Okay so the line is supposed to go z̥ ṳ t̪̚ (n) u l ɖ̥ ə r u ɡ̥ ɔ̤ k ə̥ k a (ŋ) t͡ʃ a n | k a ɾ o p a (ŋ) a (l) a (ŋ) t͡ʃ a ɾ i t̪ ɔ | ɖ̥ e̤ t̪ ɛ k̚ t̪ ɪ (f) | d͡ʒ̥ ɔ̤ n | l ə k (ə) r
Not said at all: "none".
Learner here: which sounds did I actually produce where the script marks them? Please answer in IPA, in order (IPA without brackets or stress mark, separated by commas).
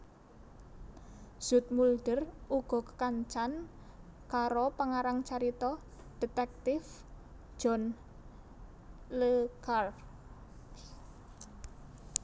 m, ɲ, ŋ, ɾ, ŋ, f, a